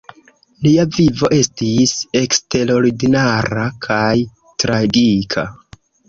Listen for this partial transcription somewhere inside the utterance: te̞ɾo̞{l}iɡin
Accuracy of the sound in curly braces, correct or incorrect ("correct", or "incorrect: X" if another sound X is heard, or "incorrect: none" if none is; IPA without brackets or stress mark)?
incorrect: ɾ